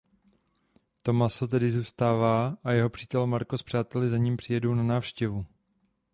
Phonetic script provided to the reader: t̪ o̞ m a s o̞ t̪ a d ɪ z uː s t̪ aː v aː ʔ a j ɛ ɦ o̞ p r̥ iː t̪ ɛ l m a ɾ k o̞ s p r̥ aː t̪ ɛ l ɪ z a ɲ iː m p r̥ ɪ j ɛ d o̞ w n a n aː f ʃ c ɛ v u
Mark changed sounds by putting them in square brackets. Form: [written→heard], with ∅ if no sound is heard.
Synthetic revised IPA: t̪ o̞ m a s o̞ t̪ [a→ɛ] d ɪ z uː s t̪ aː v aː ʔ a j ɛ ɦ o̞ p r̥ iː t̪ ɛ l m a ɾ k o̞ s p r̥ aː t̪ ɛ l ɪ z a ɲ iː m p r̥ ɪ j ɛ d o̞ w n a n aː f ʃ c ɛ v u